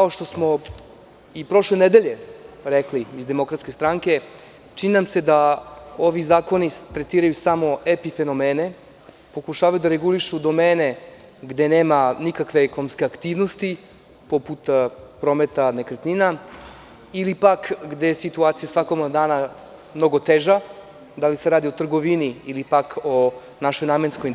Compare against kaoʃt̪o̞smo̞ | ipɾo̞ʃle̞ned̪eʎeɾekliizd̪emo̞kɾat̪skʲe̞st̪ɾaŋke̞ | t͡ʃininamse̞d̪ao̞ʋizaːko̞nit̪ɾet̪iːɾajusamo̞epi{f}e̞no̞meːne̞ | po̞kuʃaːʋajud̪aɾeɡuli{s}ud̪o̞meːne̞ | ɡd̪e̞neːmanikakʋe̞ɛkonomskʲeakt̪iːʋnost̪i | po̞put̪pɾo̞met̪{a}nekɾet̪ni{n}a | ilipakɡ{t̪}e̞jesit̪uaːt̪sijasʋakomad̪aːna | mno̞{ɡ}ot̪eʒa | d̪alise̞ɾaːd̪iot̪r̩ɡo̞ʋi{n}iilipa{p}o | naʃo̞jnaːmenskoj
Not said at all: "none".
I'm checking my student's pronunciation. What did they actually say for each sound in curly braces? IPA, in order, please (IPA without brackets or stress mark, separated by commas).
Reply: f, ʃ, a, n, d̪, ɡ, n, k